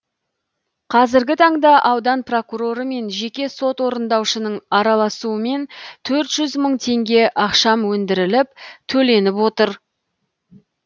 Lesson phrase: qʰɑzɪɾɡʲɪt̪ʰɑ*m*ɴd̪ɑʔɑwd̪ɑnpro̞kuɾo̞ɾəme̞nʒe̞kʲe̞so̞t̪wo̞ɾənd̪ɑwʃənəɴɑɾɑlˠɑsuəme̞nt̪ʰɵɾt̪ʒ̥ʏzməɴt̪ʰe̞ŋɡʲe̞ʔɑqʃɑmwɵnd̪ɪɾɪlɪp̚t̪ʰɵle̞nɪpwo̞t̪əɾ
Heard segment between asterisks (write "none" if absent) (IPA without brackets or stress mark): none